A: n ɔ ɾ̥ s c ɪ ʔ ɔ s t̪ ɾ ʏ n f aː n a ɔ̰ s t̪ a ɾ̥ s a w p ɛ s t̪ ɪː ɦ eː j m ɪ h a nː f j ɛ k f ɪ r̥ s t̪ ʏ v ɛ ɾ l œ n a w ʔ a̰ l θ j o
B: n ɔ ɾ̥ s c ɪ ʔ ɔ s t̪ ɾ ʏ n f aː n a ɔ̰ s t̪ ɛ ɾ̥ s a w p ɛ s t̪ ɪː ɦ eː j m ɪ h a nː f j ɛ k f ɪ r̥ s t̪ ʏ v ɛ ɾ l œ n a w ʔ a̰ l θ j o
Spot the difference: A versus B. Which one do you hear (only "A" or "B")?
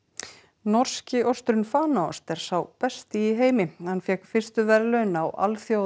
B